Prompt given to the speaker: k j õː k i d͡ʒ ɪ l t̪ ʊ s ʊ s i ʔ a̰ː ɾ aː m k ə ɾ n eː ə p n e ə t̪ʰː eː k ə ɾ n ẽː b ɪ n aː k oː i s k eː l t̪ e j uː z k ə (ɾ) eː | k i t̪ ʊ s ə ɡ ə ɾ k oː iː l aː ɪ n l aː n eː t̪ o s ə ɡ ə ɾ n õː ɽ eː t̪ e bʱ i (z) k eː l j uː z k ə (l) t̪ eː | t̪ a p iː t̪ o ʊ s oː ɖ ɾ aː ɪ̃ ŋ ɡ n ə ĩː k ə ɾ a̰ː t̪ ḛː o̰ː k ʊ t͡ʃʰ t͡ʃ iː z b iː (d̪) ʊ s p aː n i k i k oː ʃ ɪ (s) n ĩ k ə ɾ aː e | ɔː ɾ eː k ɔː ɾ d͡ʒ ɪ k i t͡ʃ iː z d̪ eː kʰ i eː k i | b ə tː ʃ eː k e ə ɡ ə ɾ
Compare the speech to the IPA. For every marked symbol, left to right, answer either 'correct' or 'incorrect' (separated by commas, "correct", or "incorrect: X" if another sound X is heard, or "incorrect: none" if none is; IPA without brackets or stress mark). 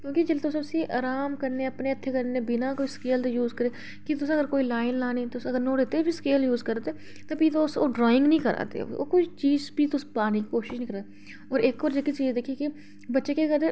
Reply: correct, incorrect: s, incorrect: ɾ, incorrect: t̪, incorrect: ʃ